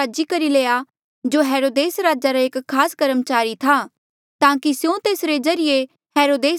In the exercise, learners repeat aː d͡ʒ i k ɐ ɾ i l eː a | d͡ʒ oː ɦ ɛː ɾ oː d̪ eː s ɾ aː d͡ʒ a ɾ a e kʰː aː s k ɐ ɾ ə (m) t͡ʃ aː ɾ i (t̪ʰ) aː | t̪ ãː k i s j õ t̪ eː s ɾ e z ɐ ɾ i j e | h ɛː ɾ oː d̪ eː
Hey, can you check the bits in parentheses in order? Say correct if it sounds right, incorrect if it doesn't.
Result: correct, correct

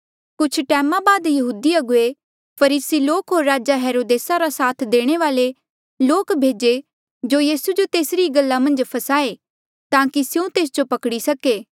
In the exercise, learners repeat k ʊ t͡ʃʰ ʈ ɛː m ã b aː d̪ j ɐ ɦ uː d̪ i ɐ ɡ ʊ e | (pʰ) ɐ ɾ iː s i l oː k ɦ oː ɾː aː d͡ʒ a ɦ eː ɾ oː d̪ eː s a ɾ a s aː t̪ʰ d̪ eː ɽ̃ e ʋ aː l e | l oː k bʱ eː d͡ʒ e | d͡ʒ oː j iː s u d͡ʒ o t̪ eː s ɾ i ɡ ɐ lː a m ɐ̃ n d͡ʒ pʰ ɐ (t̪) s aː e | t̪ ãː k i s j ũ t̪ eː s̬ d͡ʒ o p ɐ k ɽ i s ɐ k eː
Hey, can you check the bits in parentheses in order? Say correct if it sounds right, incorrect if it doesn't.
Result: correct, incorrect: none

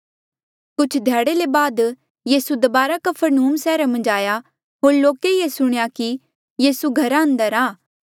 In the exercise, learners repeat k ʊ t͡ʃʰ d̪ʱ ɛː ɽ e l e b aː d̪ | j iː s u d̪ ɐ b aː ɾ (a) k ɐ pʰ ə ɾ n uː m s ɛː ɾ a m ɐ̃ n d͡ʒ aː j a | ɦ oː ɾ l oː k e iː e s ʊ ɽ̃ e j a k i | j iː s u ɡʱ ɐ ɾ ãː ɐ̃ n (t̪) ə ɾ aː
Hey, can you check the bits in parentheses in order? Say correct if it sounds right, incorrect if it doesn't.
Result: correct, incorrect: d̪

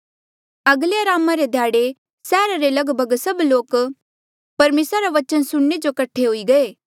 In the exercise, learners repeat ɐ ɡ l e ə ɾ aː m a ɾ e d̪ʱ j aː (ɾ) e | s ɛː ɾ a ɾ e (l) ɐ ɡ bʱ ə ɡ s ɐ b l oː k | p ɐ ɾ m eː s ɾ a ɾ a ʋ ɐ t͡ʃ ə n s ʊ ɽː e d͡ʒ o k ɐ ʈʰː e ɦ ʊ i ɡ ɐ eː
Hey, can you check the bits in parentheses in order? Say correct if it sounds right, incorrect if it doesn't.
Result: incorrect: ɽ, correct

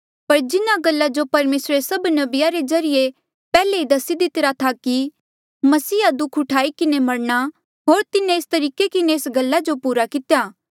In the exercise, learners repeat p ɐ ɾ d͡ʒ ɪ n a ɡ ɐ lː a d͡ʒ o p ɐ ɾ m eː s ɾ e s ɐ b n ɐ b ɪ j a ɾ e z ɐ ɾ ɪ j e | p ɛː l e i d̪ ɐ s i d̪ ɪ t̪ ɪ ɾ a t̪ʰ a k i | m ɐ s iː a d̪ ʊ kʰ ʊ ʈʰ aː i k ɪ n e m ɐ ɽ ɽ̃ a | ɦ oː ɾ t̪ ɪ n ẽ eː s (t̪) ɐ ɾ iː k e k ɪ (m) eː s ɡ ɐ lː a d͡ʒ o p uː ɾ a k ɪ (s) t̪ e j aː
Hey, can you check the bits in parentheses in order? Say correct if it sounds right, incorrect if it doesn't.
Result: correct, incorrect: n, incorrect: none

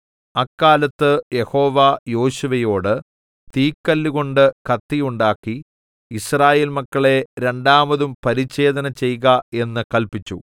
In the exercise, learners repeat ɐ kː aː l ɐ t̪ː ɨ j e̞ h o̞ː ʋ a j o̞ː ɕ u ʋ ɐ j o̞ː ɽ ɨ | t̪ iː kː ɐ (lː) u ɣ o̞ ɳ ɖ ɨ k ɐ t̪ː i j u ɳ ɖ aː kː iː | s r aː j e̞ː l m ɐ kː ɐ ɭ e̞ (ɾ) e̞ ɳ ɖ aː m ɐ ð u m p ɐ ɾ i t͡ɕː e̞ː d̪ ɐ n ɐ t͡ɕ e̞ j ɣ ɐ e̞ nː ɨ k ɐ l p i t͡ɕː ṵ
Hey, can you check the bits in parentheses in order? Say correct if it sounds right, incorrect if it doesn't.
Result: correct, correct

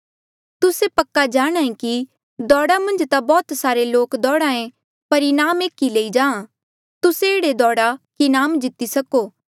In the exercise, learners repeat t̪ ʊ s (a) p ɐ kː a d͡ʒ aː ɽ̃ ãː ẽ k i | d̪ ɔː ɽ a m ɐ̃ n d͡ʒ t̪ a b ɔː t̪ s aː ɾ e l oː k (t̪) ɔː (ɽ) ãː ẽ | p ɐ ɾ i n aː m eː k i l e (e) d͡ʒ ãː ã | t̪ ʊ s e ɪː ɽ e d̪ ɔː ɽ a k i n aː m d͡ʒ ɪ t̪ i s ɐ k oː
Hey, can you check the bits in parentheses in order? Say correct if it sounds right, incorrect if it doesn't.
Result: incorrect: e, incorrect: d̪, correct, incorrect: i

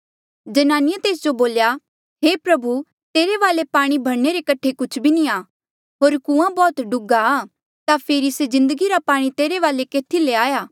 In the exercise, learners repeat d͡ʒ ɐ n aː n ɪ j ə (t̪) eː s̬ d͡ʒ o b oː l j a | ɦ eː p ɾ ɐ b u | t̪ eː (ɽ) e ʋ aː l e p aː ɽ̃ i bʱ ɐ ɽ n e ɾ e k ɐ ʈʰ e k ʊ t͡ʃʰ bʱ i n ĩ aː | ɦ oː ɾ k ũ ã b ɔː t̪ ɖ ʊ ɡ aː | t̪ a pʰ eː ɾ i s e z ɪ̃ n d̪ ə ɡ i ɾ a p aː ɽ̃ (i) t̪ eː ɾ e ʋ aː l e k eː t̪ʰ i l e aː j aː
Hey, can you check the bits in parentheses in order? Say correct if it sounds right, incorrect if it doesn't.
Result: correct, incorrect: ɾ, correct

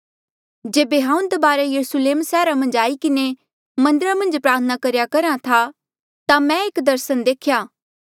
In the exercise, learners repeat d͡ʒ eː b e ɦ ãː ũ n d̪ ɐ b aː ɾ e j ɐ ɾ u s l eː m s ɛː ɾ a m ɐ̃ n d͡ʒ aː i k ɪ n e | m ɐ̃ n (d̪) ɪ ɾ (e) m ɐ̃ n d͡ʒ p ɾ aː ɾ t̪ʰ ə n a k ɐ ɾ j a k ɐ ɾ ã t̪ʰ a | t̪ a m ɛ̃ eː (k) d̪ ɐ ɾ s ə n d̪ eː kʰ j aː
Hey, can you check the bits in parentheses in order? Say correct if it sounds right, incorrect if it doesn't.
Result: correct, incorrect: a, correct

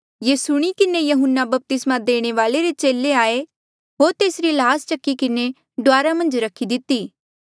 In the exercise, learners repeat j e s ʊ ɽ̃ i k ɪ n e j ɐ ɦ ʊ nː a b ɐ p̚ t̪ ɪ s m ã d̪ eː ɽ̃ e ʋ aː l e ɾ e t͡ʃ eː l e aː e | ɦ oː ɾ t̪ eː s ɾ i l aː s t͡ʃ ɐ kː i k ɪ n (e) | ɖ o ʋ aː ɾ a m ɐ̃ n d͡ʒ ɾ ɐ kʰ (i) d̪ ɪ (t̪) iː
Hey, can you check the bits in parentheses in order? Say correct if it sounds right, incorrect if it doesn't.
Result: correct, correct, correct

